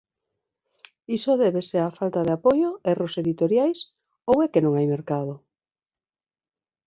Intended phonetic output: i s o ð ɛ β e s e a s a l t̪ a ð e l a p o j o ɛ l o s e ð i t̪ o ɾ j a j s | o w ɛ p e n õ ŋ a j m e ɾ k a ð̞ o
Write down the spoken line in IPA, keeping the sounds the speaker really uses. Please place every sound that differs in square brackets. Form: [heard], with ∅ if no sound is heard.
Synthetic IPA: i s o ð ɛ β e s e a [f] a l t̪ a ð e [∅] a p o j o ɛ [r] o s e ð i t̪ o ɾ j a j s | o w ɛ [k] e n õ ŋ a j m e ɾ k a ð̞ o